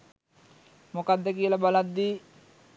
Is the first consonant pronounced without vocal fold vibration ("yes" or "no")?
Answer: no